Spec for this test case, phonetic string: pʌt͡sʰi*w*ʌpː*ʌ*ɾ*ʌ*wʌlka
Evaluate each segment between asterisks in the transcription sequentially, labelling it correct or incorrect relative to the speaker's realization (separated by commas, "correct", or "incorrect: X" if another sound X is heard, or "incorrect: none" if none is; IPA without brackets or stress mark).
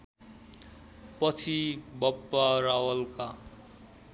incorrect: b, incorrect: a, incorrect: a